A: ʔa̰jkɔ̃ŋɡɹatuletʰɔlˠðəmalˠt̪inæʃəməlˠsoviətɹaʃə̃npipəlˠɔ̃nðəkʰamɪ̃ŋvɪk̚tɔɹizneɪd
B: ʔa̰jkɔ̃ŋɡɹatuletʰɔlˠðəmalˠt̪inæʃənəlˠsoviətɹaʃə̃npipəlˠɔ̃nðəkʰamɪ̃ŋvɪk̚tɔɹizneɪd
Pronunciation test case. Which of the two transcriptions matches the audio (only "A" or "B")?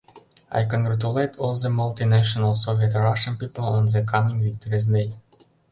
B